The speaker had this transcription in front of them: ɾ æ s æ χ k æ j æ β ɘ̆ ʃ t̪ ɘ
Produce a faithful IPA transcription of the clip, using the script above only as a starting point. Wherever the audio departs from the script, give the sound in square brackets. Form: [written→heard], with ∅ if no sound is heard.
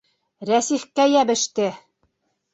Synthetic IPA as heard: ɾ æ s [æ→i] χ k æ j æ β ɘ̆ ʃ t̪ ɘ